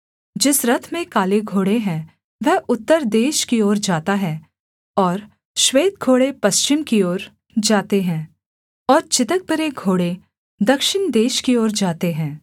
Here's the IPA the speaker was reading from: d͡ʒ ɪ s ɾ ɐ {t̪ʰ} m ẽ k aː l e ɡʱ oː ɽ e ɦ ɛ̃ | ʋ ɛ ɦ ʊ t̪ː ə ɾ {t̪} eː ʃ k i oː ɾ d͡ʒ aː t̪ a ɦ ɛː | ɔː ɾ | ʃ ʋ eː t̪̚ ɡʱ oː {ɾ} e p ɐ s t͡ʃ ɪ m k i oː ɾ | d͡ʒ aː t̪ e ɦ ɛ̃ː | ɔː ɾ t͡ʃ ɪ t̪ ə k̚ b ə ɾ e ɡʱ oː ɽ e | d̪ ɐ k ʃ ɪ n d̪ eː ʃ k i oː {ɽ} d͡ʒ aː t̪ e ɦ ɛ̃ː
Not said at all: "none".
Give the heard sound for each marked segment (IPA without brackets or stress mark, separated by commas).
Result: t̪ʰ, d̪, ɽ, ɾ